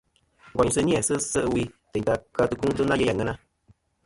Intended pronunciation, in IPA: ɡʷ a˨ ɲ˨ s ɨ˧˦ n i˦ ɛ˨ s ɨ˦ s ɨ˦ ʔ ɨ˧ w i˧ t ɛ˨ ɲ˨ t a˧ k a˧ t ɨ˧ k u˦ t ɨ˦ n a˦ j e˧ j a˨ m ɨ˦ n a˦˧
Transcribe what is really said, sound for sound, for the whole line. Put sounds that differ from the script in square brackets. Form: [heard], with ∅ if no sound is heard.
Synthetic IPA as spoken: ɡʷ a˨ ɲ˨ s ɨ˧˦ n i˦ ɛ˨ s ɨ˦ s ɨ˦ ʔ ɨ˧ w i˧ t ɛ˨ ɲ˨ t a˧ k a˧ t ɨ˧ k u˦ t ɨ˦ n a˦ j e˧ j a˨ [ŋ] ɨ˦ n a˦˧